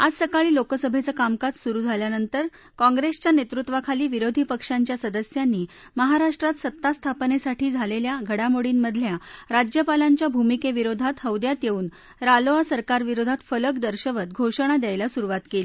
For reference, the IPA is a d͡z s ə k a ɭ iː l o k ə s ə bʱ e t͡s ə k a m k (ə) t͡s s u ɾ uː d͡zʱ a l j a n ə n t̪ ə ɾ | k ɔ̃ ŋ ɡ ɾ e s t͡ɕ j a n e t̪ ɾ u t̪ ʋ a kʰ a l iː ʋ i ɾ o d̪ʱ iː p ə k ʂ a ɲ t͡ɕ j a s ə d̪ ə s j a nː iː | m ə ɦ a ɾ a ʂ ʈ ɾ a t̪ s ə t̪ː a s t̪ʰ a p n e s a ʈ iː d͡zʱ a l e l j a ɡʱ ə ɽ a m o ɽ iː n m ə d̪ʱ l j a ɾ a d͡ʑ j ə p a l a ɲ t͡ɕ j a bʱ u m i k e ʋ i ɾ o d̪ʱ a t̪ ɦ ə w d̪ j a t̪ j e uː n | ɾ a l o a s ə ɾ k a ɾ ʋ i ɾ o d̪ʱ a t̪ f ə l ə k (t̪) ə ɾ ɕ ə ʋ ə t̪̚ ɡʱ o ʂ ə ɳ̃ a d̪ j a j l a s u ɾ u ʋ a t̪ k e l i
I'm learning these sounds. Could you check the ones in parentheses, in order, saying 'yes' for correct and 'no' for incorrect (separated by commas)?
no, no